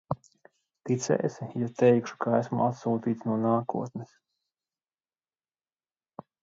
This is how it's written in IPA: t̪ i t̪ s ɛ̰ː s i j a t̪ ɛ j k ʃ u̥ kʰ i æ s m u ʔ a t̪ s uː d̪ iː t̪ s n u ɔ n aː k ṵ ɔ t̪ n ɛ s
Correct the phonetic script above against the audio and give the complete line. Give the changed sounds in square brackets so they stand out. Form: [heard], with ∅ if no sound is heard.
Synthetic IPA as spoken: t̪ i t̪ s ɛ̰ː s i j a t̪ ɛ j k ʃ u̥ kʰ [a] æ s m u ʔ a t̪ s uː [t̪] iː t̪ s n u ɔ n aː k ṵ ɔ t̪ n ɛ s

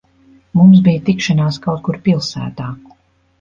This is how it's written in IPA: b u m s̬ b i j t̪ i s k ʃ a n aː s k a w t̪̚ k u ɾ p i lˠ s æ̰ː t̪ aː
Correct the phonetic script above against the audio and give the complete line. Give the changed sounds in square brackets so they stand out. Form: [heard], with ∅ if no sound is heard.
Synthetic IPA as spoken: [m] u m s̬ b i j t̪ i [∅] k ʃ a n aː s k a w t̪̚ k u ɾ p i lˠ s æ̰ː t̪ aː

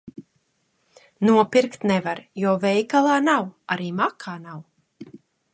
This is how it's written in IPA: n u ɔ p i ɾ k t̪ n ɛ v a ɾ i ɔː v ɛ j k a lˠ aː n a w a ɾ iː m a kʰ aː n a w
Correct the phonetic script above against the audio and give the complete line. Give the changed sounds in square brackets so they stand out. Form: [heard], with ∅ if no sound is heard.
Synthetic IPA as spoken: n u ɔ p i ɾ k t̪ n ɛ v a ɾ [j] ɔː v ɛ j k a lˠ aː n a w a ɾ iː m a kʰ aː n a w

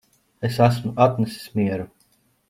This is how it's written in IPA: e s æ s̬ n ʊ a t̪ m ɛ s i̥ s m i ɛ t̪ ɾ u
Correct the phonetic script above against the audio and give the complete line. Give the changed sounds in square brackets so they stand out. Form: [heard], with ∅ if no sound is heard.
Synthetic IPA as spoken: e s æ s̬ [m] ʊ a t̪ [n] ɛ s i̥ s m i ɛ [∅] ɾ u

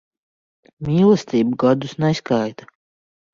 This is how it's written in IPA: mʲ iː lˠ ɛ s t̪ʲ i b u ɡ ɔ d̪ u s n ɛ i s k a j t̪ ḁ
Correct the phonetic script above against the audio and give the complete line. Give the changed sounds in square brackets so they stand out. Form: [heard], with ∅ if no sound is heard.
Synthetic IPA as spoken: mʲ iː lˠ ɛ s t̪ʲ [iː] b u ɡ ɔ d̪ u s n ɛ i s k a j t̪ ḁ

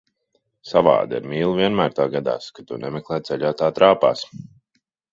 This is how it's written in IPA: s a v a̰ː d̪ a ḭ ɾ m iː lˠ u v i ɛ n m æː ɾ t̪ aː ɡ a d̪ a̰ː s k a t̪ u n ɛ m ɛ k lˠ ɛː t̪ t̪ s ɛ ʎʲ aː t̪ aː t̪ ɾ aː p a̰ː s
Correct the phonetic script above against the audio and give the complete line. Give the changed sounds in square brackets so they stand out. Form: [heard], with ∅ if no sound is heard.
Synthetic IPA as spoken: s a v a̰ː d̪ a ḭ ɾ m iː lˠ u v i ɛ n m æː ɾ t̪ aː ɡ a d̪ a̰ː s k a t̪ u n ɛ m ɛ k lˠ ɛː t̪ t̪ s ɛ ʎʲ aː t̪ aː t̪ ɾ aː p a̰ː s

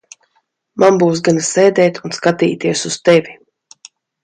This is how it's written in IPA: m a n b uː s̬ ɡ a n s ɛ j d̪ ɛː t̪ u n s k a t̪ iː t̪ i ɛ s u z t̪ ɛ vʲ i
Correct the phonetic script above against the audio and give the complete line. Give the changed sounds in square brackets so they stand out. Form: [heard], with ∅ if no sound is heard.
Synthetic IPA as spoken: m a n b uː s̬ ɡ a n s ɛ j d̪ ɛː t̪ u n s k a t̪ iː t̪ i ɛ s u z t̪ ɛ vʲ i

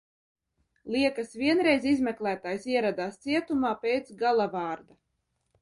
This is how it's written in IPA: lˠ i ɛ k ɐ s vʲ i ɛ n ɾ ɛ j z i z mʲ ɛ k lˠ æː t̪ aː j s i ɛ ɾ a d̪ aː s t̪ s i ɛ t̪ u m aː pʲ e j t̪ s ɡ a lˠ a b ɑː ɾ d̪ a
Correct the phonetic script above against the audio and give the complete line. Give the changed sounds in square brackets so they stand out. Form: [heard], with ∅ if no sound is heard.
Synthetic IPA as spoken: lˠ i ɛ k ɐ s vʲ i ɛ n ɾ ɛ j z i z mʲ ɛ k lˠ æː t̪ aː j s i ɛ ɾ a d̪ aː s t̪ s i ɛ t̪ u m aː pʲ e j t̪ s ɡ a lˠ a [v] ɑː ɾ d̪ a

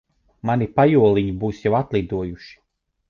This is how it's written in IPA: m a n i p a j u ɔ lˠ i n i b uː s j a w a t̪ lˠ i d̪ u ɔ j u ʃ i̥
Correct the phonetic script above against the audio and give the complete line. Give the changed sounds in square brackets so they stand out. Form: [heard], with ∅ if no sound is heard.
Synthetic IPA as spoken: m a n i p a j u ɔ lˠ i [ɲ] i b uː s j a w a t̪ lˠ i d̪ u ɔ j u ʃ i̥

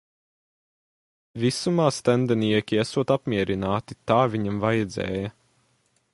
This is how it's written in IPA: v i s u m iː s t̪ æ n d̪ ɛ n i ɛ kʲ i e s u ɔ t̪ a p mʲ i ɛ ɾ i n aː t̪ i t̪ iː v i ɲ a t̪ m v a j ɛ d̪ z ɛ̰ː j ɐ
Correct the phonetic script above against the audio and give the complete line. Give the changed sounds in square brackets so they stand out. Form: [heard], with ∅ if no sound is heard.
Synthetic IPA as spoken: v i s u m [aː] s t̪ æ n d̪ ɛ n i ɛ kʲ i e s u ɔ t̪ a p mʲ i ɛ ɾ i n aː t̪ i t̪ [aː] v i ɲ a [∅] m v a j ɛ d̪ z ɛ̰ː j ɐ

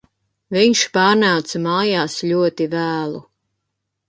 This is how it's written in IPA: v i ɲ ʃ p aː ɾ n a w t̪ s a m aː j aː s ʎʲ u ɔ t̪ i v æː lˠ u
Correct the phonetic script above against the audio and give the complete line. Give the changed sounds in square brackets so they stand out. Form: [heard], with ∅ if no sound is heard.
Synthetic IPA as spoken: v i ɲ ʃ p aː ɾ n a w t̪ s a m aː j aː s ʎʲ u ɔ t̪ i v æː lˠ u

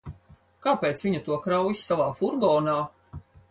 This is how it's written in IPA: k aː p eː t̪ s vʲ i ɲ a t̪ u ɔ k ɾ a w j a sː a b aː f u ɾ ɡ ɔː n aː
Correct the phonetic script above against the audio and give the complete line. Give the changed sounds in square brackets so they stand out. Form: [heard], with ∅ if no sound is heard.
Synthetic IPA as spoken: k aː p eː t̪ s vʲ i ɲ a t̪ u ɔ k ɾ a w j [i] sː a [v] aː f u ɾ ɡ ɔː n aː

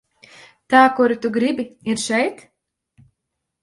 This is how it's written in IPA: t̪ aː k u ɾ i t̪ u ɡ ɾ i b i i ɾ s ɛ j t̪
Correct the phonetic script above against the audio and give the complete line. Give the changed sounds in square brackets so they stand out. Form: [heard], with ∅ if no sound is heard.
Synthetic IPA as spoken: t̪ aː k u ɾ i t̪ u ɡ ɾ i b i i ɾ [ʃ] ɛ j t̪

